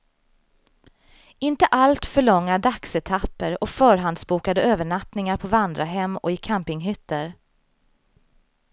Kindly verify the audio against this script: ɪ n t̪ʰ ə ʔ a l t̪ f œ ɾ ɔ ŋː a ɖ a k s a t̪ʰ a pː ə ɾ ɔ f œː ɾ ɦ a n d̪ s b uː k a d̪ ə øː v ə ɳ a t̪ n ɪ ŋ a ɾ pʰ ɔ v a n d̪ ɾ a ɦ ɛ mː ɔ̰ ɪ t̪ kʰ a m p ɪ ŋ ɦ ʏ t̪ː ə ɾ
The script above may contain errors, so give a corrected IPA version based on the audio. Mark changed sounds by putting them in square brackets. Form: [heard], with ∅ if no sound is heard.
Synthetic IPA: ɪ n [t̪] ə ʔ a l t̪ f œ [ɭ] ɔ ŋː a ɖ a k s [ɛ] t̪ʰ a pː ə ɾ ɔ f œː ɾ ɦ a n d̪ s b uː k a d̪ ə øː v ə ɳ a t̪ n ɪ ŋ a ɾ pʰ ɔ v a n d̪ ɾ a ɦ ɛ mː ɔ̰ ɪ [∅] kʰ a m p ɪ ŋ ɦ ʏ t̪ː ə ɾ